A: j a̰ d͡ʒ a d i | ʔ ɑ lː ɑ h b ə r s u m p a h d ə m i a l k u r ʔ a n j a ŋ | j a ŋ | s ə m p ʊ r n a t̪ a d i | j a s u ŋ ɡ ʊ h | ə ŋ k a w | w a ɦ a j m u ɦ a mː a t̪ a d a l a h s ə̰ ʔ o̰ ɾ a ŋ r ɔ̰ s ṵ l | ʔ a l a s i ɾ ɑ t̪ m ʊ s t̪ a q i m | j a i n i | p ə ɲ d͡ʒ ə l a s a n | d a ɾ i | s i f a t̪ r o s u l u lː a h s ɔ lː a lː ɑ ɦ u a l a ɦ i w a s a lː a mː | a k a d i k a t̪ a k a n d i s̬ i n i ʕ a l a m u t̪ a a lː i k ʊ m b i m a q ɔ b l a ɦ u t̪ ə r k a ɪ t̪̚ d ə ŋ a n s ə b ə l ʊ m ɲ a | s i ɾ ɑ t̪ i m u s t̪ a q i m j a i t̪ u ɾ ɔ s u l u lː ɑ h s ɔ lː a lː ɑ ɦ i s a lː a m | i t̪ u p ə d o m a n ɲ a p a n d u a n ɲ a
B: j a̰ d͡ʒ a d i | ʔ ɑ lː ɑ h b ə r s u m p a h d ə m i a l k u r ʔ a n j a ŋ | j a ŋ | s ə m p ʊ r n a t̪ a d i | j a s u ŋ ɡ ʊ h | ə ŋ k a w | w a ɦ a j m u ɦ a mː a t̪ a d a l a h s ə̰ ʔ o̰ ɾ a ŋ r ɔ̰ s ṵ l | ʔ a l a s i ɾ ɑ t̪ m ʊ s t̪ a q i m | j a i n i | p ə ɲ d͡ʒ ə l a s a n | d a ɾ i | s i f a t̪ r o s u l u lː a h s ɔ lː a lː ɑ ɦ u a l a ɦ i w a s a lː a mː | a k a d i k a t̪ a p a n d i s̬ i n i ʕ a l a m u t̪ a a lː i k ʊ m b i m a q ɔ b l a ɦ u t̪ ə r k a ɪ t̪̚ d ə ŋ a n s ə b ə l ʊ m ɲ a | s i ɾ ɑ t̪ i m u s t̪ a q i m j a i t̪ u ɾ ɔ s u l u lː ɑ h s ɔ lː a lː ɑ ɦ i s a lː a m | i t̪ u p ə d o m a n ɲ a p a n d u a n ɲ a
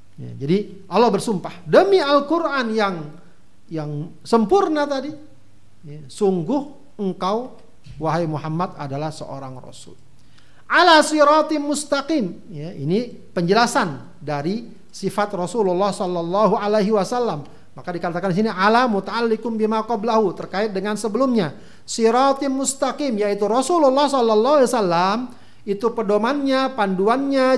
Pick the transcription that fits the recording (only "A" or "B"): A